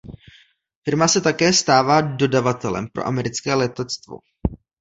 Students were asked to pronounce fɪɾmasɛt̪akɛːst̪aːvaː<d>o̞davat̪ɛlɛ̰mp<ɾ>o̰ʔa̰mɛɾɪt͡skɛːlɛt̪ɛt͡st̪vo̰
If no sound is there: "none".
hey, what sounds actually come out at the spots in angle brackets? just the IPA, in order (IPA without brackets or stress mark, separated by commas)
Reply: d, ɾ